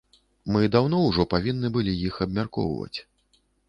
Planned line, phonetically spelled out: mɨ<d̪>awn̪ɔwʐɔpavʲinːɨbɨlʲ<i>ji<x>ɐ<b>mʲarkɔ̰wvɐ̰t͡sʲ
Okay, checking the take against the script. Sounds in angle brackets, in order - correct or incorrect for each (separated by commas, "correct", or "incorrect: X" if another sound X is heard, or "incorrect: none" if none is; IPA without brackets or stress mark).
correct, correct, correct, correct